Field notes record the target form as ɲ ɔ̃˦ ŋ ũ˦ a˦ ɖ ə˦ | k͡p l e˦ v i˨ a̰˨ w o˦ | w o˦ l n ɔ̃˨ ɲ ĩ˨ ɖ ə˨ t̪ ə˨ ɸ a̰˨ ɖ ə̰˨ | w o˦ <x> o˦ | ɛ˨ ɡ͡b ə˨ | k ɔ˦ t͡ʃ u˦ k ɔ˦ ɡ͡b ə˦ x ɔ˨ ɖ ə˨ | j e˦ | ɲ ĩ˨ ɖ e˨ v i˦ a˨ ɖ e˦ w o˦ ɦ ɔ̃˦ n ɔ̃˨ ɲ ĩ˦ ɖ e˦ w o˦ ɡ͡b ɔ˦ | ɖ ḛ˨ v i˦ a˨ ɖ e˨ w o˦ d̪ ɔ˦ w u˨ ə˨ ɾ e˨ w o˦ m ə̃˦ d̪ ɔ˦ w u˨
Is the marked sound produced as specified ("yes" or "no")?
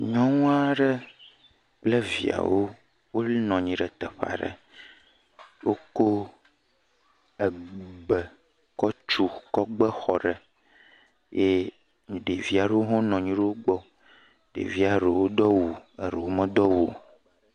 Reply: no